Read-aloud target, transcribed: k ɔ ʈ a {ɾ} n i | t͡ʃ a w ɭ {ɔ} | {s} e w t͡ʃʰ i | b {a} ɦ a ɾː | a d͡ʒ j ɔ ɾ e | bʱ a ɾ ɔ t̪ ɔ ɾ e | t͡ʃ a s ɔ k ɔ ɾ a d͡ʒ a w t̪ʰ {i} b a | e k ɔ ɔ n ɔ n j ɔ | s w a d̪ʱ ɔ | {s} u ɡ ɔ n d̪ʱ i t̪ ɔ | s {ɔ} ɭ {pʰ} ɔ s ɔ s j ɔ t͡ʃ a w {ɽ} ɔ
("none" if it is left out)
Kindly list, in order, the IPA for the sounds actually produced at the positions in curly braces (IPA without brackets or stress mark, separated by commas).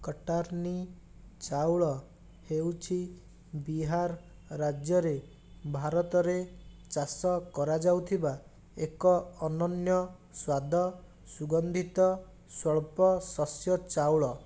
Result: ɾ, ɔ, h, i, i, s, ɔ, p, ɭ